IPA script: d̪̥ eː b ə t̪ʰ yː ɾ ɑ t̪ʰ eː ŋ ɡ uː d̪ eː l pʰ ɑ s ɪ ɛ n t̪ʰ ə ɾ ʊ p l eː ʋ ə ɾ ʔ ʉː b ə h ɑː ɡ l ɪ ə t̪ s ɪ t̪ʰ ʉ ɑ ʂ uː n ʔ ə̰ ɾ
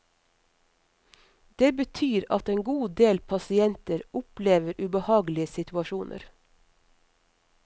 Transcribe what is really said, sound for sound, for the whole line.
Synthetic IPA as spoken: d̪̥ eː b ə t̪ʰ yː ɾ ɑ t̪ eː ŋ ɡ uː d̪ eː l pʰ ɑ s ɪ ɛ n t̪ ə ɾ ʊ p l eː ʋ ə ɾ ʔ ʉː b ə h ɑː ɡ l ɪ ə s ɪ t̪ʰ ʉ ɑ ʃ uː n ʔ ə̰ ɾ